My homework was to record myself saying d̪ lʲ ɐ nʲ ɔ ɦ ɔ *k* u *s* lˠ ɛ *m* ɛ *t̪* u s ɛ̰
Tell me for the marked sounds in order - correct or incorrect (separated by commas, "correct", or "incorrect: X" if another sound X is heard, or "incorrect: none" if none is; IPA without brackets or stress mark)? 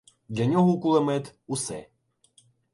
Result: correct, incorrect: none, correct, correct